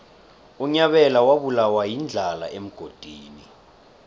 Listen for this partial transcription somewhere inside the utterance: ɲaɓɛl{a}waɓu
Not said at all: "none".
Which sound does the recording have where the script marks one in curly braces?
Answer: a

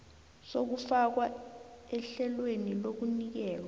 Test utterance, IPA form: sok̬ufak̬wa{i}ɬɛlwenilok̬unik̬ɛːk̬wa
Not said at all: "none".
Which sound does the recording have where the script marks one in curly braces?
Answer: ɛ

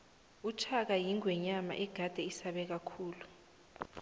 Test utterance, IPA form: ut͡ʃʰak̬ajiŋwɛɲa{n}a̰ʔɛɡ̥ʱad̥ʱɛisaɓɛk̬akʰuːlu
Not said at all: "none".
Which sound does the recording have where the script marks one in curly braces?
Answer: m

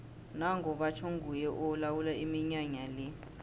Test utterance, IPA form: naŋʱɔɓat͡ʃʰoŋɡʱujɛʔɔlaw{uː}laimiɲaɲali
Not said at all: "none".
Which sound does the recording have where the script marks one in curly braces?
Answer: u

